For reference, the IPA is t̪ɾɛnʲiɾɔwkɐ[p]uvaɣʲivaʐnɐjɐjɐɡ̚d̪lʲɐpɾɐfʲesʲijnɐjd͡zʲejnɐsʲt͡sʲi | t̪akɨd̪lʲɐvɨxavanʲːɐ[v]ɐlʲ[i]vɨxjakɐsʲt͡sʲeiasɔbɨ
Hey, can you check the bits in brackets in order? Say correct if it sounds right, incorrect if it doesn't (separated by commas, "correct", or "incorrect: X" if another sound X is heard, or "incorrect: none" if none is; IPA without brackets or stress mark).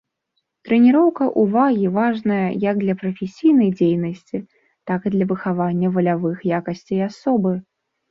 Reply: incorrect: ʔ, correct, incorrect: a